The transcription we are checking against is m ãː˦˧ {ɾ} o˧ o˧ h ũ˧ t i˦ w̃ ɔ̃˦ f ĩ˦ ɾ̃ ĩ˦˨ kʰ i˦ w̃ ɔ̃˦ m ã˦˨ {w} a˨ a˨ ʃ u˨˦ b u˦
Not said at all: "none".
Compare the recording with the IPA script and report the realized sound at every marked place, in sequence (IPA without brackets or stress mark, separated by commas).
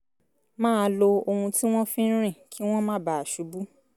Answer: l, b